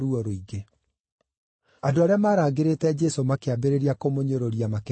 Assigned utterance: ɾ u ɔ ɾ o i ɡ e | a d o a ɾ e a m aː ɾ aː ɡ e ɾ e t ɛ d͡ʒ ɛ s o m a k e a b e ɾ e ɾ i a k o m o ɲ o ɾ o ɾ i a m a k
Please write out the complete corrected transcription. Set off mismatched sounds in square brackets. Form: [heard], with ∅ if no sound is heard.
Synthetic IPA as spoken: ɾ u ɔ ɾ o i ɡ e | a d o a ɾ e a m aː ɾ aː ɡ e ɾ e t ɛ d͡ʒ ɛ s o m a k e a b e ɾ e ɾ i a k o m o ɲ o ɾ o ɾ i a m a k